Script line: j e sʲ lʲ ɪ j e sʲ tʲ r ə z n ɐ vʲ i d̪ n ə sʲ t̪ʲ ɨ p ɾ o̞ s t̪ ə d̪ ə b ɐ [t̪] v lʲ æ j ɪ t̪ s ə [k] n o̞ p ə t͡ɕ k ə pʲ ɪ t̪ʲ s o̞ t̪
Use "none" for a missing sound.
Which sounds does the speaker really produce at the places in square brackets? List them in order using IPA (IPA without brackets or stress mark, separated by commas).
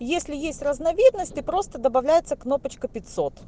none, k